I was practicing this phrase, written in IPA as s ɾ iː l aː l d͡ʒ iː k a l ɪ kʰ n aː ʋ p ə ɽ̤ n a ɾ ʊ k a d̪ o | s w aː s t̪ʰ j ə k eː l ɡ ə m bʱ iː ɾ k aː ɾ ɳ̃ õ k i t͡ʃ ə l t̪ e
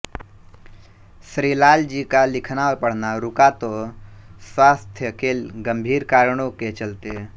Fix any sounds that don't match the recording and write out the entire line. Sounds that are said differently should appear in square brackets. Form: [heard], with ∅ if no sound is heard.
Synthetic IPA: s ɾ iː l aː l d͡ʒ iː k a l ɪ kʰ n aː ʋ p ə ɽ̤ n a ɾ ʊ k a [t̪] o | s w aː s t̪ʰ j ə k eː l ɡ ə m bʱ iː ɾ k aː ɾ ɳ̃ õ k [e] t͡ʃ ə l t̪ e